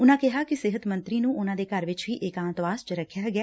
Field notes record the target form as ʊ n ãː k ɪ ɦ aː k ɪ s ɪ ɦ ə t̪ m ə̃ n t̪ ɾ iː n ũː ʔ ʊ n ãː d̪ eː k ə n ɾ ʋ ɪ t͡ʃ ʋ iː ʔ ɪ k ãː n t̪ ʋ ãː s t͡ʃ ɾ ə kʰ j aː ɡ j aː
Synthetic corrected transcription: ʊ n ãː k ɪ ɦ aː k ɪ s ɪ ɦ ə t̪ m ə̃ n t̪ ɾ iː n ũː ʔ ʊ n ãː d̪ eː k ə ɾ ʋ ɪ t͡ʃ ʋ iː ʔ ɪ k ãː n t̪ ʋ aː s t͡ʃ ɾ ə kʰ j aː ɡ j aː